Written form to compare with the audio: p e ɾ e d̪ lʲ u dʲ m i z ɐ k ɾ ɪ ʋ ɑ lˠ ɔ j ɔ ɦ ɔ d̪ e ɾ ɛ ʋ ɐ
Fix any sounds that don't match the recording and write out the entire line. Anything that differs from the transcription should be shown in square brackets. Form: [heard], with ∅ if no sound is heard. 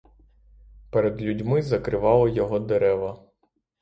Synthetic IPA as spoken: p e ɾ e d̪ lʲ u dʲ m [ɪ] z ɐ k ɾ ɪ ʋ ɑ lˠ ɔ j ɔ ɦ ɔ d̪ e ɾ ɛ ʋ ɐ